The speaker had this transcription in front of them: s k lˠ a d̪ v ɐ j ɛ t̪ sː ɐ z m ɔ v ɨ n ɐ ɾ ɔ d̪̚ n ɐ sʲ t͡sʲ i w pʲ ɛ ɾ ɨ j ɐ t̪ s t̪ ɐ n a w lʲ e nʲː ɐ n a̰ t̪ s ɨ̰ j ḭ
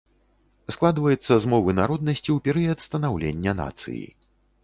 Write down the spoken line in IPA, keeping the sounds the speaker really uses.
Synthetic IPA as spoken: s k lˠ a d̪ v ɐ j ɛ t̪ sː ɐ z m ɔ v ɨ n a ɾ ɔ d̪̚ n ɐ sʲ t͡sʲ i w pʲ ɛ ɾ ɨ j ɐ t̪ s t̪ ɐ n a w lʲ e nʲː ɐ n a̰ t̪ s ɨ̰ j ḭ

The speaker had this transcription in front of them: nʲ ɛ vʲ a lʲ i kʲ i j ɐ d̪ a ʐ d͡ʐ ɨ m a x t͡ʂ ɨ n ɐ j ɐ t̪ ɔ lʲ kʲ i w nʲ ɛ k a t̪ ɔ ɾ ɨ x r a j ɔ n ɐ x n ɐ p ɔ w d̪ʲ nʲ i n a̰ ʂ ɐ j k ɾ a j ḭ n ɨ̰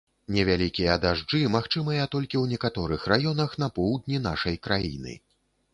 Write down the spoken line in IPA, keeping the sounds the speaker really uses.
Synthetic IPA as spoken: nʲ ɛ vʲ a lʲ i kʲ i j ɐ d̪ a ʐ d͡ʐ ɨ m a x t͡ʂ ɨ m ɐ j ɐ t̪ ɔ lʲ kʲ i w nʲ ɛ k a t̪ ɔ ɾ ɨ x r a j ɔ n ɐ x n ɐ p ɔ w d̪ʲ nʲ i n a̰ ʂ ɐ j k ɾ a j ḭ n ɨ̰

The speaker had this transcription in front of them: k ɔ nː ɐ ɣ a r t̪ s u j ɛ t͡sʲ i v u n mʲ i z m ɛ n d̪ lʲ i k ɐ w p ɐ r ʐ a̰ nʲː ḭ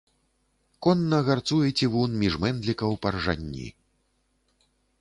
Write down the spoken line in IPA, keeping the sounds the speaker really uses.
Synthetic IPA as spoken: k ɔ nː ɐ ɣ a r t̪ s u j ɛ t͡sʲ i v u n mʲ i ʐ m ɛ n d̪ lʲ i k ɐ w p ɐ r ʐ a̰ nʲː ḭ

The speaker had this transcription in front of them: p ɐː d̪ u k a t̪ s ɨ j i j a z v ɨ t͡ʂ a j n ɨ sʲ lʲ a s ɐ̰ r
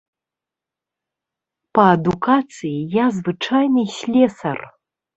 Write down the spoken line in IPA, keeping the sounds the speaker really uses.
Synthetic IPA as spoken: p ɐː d̪ u k a t̪ s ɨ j i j a z v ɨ t͡ʂ a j n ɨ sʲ lʲ ɛ s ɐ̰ r

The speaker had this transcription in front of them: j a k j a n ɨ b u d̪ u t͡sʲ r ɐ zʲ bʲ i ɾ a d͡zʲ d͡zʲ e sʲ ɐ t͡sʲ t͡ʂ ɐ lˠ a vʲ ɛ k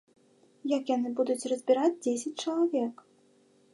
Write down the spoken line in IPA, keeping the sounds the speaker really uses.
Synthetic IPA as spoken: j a k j a n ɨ b u d̪ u t͡sʲ r ɐ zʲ bʲ i ɾ a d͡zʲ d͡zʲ e sʲ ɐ t͡sʲ t͡ʂ ɐ lˠ a vʲ ɛ k

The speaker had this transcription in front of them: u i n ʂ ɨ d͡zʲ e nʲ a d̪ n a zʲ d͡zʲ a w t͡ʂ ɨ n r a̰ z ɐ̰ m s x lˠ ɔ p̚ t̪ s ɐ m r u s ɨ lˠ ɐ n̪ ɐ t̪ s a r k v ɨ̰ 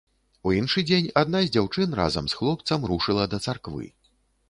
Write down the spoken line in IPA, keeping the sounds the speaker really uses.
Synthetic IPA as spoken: u i n ʂ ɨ d͡zʲ e nʲ a d̪ n a zʲ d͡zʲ a w t͡ʂ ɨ n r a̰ z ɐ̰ m s x lˠ ɔ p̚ t̪ s ɐ m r u ʂ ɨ lˠ ɐ d̪ ɐ t̪ s a r k v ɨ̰

